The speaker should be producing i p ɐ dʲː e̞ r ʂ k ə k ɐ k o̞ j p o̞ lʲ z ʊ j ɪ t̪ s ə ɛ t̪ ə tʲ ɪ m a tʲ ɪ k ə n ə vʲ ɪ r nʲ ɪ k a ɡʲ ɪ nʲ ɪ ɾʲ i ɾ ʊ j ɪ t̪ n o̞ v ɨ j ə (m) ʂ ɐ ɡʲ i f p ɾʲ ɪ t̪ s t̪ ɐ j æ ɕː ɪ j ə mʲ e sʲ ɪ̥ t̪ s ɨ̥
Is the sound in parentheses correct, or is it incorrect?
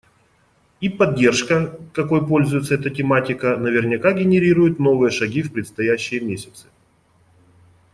incorrect: none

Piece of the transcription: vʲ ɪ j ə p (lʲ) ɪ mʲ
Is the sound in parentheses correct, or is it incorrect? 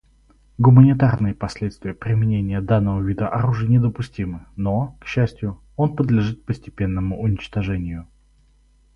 incorrect: ɾʲ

